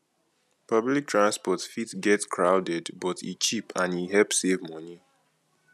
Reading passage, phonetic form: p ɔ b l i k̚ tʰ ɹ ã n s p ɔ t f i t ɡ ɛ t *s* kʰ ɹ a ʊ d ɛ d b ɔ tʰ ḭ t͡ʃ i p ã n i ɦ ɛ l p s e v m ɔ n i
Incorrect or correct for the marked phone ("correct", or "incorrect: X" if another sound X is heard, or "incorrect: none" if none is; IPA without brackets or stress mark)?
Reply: correct